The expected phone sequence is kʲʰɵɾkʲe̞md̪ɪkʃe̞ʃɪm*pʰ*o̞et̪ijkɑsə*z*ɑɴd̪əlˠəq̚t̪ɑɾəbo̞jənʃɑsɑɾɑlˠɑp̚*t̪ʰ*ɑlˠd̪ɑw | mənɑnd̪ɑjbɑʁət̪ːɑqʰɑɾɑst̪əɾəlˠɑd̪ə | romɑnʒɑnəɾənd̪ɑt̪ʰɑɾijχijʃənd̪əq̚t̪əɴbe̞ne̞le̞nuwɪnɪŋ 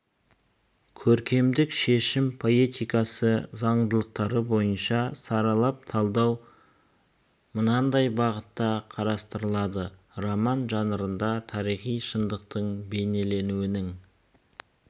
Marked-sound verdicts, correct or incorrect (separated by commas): correct, correct, correct